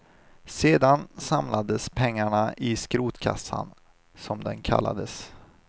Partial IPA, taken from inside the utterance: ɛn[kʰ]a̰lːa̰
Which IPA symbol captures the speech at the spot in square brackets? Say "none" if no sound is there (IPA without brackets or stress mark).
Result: kʰ